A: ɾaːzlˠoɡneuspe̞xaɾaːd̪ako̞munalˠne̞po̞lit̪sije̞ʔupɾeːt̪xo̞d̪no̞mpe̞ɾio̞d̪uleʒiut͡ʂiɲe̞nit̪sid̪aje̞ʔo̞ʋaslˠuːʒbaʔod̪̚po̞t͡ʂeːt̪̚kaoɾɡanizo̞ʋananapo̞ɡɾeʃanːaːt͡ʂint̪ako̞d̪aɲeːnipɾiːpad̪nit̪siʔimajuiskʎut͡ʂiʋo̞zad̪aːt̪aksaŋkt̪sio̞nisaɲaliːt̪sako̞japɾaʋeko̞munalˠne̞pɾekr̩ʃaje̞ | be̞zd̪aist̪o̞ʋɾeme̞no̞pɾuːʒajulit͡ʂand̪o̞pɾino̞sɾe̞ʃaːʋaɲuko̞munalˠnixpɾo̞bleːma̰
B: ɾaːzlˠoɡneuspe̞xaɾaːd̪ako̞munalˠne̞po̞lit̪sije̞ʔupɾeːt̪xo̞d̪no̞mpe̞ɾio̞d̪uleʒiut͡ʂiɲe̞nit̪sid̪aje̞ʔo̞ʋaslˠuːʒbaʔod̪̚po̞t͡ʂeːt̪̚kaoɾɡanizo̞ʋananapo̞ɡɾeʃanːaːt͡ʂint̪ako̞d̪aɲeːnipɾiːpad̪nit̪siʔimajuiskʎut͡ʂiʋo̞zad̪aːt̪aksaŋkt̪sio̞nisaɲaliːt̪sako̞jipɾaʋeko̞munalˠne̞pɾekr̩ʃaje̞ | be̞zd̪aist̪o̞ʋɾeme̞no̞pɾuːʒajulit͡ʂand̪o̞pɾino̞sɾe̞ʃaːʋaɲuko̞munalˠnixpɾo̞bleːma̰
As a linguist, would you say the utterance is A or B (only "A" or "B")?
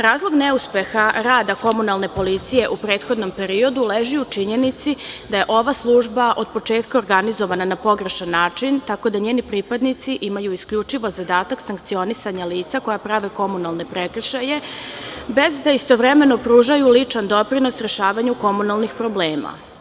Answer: A